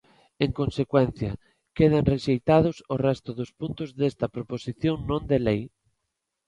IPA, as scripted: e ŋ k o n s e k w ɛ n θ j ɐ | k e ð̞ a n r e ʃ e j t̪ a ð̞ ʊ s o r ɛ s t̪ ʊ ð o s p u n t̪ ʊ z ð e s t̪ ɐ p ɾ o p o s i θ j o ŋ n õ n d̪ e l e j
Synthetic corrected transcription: e ŋ k o n s e k w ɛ n θ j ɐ | k e ð̞ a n r e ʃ e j t̪ a ð̞ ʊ s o r ɛ s t̪ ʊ ð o s p u n t̪ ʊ z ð e s t̪ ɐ p ɾ o p o s i θ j o ŋ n õ n d̪ e l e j